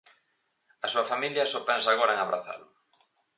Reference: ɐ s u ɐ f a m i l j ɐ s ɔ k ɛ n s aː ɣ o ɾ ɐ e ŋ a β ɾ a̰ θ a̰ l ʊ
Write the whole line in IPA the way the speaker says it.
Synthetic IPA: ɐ s u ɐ f a m i l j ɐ s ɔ p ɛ n s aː ɣ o ɾ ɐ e ŋ a β ɾ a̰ θ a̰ l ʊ